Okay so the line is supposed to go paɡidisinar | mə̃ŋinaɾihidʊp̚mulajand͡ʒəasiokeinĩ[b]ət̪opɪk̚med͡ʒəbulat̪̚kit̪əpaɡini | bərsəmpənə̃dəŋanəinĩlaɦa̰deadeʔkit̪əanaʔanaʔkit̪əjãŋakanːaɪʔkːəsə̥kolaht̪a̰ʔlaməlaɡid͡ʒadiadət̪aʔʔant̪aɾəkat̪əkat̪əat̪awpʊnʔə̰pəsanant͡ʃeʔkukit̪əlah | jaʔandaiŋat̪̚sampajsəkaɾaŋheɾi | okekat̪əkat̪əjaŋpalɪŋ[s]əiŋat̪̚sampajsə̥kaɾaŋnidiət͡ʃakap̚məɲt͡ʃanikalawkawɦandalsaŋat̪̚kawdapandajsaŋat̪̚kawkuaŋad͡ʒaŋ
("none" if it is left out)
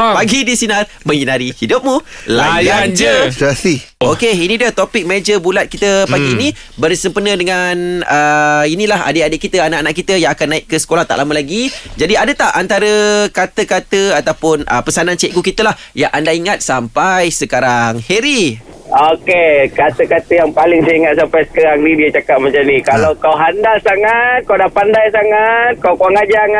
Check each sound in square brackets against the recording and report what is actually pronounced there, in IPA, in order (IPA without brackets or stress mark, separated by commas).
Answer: d, s